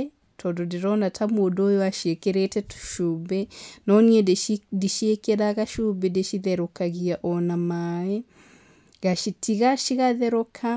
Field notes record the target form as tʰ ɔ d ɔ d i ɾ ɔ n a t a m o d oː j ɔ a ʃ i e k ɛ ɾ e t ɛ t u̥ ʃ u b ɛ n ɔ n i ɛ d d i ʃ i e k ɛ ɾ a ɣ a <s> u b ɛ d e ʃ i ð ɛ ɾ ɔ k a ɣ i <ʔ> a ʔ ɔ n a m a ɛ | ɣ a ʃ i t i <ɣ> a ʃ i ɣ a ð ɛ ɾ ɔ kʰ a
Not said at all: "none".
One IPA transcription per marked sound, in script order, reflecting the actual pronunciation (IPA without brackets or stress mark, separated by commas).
ʃ, none, ɣ